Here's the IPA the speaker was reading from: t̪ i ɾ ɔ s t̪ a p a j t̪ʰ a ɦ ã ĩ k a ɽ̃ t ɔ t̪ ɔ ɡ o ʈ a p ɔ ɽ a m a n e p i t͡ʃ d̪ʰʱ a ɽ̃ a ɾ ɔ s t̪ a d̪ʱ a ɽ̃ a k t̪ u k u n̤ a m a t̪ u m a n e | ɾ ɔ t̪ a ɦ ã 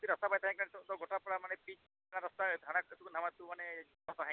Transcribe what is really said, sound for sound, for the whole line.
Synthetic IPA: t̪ i ɾ ɔ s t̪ a p a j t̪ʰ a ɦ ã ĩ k a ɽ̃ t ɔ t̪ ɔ ɡ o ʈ a p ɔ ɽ a m a n e p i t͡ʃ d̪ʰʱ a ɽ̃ a ɾ ɔ s t̪ a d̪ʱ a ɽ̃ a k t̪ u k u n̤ a m a t̪ u m a n e | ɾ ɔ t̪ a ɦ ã